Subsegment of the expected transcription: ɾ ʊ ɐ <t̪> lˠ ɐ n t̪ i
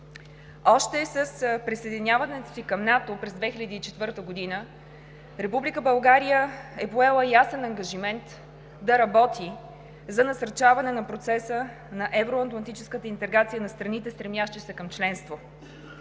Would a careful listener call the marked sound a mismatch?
no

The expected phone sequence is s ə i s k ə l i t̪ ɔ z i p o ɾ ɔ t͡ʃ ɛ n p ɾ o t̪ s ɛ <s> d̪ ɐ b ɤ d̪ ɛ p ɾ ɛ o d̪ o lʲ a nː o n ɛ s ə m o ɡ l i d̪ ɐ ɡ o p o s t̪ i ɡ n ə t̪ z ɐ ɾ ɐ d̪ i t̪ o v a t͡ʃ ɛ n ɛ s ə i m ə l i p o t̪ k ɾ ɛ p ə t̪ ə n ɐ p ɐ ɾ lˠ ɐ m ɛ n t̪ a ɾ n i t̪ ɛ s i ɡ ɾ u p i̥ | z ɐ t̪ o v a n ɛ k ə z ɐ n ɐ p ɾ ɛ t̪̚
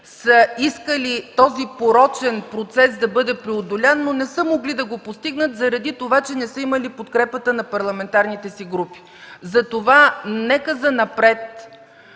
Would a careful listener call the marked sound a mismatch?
no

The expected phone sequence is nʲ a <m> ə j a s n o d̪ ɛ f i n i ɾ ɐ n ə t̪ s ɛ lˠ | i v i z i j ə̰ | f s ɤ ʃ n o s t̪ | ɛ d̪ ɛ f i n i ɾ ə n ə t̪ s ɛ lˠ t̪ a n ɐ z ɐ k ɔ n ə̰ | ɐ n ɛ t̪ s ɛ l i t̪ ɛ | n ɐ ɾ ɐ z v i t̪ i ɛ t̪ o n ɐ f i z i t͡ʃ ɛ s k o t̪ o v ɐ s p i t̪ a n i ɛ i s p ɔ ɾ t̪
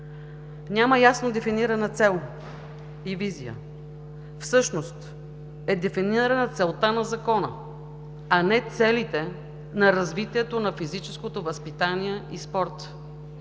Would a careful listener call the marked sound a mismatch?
no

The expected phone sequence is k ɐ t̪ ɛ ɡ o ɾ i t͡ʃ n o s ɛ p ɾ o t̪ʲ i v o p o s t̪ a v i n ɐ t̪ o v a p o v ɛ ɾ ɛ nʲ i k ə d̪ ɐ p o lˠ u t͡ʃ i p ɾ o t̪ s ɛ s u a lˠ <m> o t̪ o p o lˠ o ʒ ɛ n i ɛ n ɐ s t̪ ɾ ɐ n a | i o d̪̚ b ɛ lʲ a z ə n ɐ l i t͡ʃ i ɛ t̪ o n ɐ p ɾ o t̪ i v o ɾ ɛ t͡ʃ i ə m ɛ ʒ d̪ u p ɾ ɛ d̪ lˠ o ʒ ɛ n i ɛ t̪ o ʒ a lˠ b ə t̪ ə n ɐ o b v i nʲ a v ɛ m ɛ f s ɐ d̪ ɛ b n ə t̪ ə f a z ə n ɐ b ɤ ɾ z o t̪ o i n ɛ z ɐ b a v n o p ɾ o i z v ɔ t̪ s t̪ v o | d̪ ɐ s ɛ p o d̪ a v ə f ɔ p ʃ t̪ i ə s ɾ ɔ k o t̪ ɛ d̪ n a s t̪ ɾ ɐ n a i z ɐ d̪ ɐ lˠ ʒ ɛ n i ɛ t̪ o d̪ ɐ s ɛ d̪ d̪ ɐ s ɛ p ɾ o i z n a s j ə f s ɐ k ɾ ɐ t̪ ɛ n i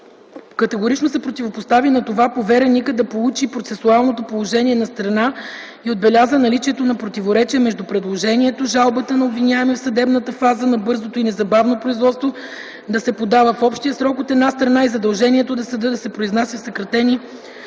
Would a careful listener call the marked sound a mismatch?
yes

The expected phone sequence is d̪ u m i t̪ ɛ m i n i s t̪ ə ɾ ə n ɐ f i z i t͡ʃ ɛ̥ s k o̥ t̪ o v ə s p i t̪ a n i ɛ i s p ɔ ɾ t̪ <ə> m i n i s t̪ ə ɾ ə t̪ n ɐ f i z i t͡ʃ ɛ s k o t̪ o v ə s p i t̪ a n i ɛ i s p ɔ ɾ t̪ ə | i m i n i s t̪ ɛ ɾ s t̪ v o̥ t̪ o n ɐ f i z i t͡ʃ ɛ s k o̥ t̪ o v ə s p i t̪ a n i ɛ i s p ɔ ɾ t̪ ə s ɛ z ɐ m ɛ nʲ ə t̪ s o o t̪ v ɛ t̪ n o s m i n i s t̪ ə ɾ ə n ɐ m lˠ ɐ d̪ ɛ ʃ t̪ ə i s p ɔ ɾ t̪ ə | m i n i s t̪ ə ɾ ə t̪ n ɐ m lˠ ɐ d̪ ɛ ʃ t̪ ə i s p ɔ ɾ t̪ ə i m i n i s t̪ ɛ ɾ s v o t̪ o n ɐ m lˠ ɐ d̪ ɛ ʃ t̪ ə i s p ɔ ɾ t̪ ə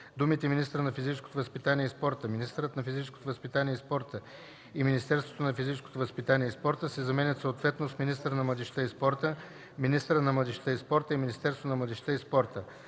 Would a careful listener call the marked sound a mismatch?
no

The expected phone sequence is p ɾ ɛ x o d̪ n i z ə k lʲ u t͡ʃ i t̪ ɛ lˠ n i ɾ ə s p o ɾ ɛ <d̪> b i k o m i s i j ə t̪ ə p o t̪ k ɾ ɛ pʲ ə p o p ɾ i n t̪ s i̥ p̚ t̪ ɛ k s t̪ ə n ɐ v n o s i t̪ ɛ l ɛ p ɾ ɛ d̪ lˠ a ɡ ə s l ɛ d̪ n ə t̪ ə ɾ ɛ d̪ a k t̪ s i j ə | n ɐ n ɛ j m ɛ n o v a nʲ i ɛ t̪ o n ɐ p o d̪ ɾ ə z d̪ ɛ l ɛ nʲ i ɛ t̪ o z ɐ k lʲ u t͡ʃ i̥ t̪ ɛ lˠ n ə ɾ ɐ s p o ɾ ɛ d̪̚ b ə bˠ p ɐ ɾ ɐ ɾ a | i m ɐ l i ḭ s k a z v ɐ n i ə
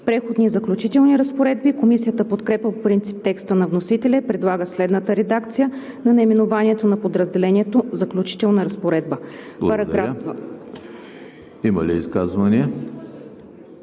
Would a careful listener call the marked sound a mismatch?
no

